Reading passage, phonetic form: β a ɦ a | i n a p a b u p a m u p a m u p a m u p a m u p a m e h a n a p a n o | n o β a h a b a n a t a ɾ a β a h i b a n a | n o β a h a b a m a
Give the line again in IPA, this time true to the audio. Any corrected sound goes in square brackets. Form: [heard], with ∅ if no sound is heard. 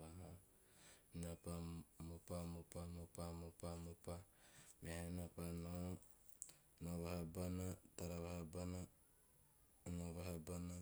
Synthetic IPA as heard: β a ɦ a | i n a p a [m] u p a m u p a m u p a m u p a m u p a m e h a n a p a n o | n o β a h a b a n a t a ɾ a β a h [a] b a n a | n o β a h a b a [n] a

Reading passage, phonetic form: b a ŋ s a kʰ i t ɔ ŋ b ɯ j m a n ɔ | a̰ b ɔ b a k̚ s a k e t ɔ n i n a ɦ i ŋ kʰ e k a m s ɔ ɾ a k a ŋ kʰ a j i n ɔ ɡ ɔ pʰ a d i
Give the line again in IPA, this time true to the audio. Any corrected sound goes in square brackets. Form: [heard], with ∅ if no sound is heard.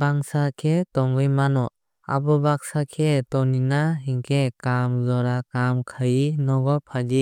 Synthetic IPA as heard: b a ŋ s a kʰ [e] t ɔ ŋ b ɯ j m a n ɔ | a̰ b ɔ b a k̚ s a [kʰ] e t ɔ n i n a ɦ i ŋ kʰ e k a m [z] ɔ ɾ a k a [m] kʰ a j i n ɔ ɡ ɔ pʰ a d i

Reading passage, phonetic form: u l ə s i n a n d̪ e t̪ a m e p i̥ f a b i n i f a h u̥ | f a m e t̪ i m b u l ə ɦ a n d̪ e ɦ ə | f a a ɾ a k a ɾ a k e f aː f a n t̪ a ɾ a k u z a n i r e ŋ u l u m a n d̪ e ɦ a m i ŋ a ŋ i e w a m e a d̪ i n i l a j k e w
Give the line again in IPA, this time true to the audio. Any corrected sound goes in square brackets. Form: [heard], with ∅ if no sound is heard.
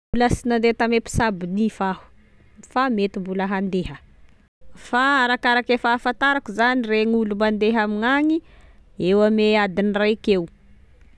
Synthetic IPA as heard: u l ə s i n a n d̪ e t̪ a m e p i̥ [s] a b i n i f a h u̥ | f a m e t̪ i m b u l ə ɦ a n d̪ e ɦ ə | f a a ɾ a k a ɾ a k e f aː f a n t̪ a ɾ a k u z a n i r e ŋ u l u m a n d̪ e ɦ a m i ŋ a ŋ i e w a m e a d̪ i n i [r] a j k e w

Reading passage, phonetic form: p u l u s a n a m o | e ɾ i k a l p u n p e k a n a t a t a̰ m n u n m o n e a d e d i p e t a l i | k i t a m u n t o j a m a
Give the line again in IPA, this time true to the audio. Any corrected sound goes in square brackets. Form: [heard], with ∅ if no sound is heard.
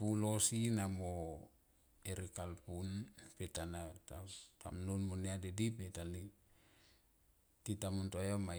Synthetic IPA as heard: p u l [o] s [i] n a m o | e ɾ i k a l p u n p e [t] a n a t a t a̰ m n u n m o n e a d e d i p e t a l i | [t] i t a m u n t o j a m a

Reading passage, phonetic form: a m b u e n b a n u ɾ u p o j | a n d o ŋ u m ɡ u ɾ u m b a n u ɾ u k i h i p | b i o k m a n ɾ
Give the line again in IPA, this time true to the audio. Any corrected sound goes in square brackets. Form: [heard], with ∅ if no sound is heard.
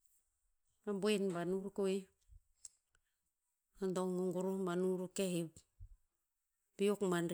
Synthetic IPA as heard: a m b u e n b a n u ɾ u [k] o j | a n d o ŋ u [ŋ] ɡ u ɾ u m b a n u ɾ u k [e] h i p | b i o k m a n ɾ

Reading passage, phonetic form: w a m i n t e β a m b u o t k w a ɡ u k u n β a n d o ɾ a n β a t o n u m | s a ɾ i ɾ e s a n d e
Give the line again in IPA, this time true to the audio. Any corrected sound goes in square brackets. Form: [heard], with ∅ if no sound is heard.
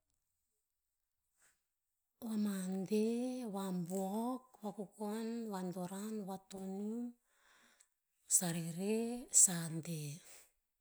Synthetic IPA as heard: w a m [a] n [d] e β a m b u o [∅] k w a [k] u k [o] n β a n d o ɾ a n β a t o n u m | s a ɾ i ɾ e s a n d e

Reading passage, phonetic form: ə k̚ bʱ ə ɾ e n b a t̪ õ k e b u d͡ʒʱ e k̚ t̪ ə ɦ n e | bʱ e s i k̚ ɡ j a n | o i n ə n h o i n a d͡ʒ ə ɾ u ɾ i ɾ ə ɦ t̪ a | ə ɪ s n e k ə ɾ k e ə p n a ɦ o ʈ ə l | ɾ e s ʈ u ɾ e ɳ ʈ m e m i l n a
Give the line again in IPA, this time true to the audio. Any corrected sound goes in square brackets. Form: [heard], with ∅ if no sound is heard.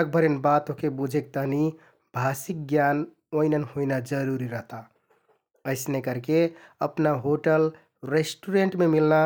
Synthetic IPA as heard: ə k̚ bʱ ə ɾ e n b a t̪ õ k e b u d͡ʒʱ e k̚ t̪ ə ɦ n [i] | bʱ [a] s i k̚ ɡ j a n | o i n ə n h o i n a d͡ʒ ə ɾ u ɾ i ɾ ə ɦ t̪ a | ə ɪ s n e k ə ɾ k e ə p n a ɦ o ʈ ə l | ɾ e s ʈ u ɾ e ɳ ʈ m e m i l n a

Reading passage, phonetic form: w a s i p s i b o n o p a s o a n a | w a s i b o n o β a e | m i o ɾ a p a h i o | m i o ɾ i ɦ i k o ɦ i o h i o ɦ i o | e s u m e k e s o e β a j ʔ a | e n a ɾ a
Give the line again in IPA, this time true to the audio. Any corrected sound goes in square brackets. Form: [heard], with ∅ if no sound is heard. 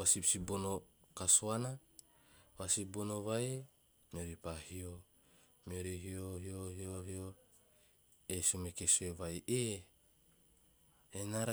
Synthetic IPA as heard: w a s i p s i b o n o [k] a s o a n a | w a s i b o n o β a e | m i o ɾ [i] p a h i o | m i o ɾ i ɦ i [∅] o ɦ i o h i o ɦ i o | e s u m e k e s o e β a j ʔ [e] | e n a ɾ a

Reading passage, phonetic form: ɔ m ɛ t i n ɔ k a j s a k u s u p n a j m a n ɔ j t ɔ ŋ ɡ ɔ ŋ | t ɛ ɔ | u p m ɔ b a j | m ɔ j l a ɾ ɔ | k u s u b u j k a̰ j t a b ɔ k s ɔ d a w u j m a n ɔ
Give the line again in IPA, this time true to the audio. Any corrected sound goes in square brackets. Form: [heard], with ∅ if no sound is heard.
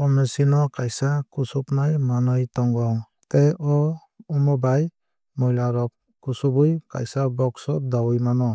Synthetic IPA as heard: ɔ m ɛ [s] i n ɔ k a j s a k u s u p n a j m a n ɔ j t ɔ ŋ ɡ ɔ ŋ | t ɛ ɔ | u [∅] m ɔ b a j | m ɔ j l a ɾ ɔ | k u s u b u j k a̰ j [s] a b ɔ k s ɔ d a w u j m a n ɔ

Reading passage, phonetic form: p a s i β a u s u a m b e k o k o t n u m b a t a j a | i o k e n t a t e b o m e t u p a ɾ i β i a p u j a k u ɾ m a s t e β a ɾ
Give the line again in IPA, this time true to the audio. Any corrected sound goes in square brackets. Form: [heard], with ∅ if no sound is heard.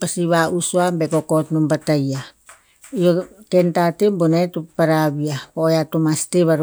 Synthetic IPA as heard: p a s i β a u s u a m b e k o k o t n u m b a t a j a | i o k e n t a t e b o [n] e t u p a ɾ [a] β i a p [o] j a [t] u [∅] m a s t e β a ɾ

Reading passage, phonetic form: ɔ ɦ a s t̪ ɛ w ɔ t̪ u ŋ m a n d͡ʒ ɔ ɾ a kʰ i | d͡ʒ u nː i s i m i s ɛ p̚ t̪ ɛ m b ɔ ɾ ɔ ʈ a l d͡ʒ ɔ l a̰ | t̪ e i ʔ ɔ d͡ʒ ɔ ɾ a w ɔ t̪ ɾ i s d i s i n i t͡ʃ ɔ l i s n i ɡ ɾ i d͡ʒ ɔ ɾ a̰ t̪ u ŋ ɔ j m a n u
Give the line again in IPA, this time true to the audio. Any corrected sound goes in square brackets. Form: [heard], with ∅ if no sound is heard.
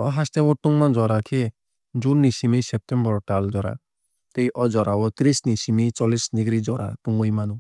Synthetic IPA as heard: ɔ ɦ a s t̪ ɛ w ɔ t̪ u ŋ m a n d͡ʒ ɔ ɾ a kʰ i | d͡ʒ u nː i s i m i s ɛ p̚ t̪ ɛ m b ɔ ɾ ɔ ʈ a l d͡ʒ ɔ [ɾ] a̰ | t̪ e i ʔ ɔ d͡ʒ ɔ ɾ a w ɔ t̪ ɾ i s [n] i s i [m] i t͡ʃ ɔ l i s n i ɡ ɾ i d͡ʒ ɔ ɾ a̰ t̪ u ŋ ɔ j m a n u

